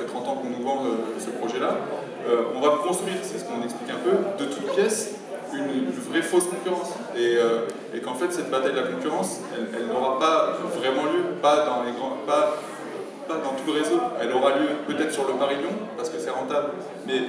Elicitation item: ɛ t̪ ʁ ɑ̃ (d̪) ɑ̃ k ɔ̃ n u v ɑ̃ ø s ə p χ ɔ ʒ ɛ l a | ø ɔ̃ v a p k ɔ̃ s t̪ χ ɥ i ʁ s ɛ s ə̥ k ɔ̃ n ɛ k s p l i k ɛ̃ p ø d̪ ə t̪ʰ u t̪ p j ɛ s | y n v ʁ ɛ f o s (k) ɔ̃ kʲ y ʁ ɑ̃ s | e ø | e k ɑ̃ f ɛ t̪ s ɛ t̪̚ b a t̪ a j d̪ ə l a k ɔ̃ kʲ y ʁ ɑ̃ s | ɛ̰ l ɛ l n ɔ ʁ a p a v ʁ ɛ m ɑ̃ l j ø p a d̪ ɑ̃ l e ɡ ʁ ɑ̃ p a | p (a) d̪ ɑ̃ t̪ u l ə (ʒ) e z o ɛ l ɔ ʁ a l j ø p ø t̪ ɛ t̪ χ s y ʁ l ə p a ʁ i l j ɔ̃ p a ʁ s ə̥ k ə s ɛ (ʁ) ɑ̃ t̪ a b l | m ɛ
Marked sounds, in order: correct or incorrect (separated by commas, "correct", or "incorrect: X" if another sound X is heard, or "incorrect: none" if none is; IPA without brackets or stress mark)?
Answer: incorrect: t̪, correct, correct, incorrect: ʁ, correct